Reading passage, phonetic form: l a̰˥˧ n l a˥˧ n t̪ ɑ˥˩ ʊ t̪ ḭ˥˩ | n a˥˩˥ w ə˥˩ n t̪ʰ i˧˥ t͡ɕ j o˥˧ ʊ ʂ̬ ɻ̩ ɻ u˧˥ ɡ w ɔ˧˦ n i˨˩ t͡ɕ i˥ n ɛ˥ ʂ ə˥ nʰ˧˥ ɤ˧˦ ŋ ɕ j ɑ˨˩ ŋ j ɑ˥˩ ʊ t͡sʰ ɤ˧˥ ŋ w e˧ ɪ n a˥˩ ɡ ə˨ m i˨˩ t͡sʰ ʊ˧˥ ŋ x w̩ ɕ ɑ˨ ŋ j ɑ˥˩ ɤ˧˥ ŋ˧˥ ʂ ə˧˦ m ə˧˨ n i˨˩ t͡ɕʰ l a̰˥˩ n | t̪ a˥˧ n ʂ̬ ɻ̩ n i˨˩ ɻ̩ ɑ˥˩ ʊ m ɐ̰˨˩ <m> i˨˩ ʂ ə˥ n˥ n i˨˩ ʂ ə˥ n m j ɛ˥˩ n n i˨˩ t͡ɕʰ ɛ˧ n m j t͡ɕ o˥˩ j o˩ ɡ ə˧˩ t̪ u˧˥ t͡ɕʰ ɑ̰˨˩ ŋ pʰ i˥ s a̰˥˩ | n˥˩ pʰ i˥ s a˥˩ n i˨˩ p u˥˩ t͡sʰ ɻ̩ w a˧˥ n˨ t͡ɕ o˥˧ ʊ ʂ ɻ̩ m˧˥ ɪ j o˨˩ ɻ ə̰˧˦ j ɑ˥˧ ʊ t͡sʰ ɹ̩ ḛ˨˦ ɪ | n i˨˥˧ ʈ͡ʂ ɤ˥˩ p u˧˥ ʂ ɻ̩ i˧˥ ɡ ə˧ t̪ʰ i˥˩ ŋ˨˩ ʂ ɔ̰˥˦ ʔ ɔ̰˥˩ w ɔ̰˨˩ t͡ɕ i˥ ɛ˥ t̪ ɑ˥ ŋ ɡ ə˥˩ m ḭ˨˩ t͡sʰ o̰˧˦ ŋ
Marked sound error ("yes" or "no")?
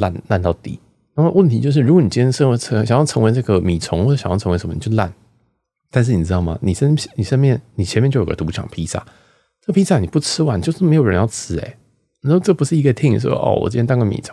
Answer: yes